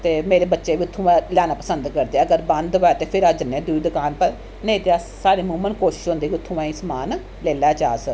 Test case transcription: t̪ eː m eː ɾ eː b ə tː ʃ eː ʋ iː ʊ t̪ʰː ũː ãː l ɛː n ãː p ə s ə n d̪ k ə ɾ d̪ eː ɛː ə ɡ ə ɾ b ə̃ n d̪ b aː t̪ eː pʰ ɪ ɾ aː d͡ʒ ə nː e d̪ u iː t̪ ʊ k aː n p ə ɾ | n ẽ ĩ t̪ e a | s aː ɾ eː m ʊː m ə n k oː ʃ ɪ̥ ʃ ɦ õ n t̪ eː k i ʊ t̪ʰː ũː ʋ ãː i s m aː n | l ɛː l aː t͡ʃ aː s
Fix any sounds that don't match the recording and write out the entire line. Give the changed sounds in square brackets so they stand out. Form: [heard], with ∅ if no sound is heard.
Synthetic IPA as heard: t̪ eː m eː ɾ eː b ə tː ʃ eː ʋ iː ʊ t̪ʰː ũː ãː l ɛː n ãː p ə s ə n d̪ k ə ɾ d̪ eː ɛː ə ɡ ə ɾ b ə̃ n d̪ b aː t̪ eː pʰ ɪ ɾ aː d͡ʒ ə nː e d̪ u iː [d̪] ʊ k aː n p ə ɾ | n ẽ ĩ t̪ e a | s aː ɾ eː m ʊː m ə n k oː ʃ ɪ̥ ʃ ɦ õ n [d̪] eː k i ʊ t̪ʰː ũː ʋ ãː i s m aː n | l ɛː l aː t͡ʃ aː s